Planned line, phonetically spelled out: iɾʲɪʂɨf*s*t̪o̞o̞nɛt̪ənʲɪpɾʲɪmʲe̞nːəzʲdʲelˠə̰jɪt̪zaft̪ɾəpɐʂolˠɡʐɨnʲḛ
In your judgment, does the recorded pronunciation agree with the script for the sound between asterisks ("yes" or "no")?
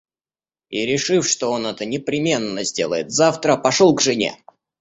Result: no